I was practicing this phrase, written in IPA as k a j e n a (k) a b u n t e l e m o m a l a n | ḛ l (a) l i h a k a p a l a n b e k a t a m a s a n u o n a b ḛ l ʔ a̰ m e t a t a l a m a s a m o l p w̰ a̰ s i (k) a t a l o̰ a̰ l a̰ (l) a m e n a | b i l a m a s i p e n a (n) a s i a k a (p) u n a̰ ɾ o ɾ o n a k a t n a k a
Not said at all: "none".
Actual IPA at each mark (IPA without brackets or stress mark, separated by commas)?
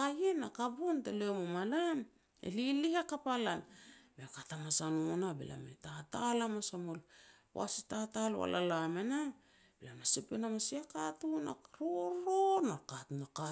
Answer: k, i, t, l, m, t